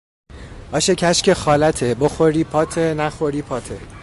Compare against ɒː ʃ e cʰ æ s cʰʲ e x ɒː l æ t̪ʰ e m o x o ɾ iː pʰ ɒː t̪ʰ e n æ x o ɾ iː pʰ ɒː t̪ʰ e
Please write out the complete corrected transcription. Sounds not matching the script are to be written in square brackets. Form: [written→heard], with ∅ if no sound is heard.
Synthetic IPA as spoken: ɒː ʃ e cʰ æ [s→ʃ] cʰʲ e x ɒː l æ t̪ʰ e [m→b] o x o ɾ iː pʰ ɒː t̪ʰ e n æ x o ɾ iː pʰ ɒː t̪ʰ e